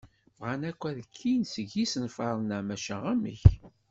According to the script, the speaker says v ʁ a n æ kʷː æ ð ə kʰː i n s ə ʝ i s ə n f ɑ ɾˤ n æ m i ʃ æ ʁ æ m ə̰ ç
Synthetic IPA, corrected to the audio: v ʁ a n æ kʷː æ ð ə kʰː i n s ə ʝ i s ə n f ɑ ɾˤ n æ m æ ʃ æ ʁ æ m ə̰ ç